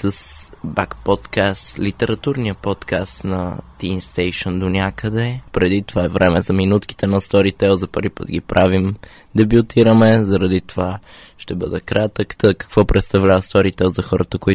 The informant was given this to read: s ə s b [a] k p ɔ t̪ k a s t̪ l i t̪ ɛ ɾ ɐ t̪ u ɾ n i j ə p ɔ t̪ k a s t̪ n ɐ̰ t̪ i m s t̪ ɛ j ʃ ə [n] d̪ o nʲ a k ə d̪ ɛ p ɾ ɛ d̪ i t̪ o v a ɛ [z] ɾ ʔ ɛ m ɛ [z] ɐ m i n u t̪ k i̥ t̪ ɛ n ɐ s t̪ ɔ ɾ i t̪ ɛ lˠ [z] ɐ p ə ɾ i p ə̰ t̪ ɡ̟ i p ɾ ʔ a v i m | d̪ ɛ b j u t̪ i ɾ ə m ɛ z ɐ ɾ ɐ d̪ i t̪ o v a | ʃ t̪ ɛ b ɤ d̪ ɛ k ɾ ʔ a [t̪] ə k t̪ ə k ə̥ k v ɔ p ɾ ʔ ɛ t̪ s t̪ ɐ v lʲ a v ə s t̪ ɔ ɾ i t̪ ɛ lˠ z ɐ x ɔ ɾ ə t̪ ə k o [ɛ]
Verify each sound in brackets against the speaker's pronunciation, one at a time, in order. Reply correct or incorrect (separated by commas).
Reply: correct, correct, incorrect, correct, correct, correct, incorrect